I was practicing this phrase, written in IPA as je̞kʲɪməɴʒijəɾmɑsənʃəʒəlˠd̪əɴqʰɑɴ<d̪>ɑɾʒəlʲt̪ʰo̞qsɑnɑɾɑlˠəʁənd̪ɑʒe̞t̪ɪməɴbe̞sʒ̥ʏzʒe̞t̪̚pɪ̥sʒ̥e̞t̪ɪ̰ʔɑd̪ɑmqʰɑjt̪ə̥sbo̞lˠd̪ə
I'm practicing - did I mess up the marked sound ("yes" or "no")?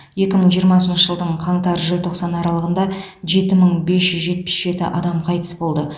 yes